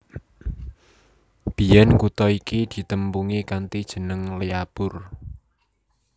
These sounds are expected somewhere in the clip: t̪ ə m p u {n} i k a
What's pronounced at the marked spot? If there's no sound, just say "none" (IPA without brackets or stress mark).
ŋ